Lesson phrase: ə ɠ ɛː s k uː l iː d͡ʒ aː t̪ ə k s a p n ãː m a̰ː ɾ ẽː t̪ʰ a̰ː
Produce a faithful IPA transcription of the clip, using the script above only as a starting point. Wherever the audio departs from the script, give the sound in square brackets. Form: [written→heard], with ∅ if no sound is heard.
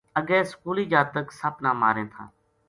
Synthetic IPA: ə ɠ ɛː s k uː l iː d͡ʒ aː t̪ ə k s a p n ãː m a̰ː ɾ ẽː t̪ʰ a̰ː